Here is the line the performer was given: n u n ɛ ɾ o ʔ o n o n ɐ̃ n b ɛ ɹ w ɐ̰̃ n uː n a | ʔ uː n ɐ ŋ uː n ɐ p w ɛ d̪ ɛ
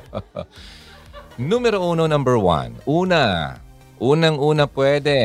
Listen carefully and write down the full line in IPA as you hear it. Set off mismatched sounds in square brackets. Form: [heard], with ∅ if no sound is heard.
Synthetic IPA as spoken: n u [m] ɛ ɾ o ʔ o n o n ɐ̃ [m] b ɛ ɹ w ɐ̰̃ n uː n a | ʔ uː n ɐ ŋ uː n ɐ p w ɛ d̪ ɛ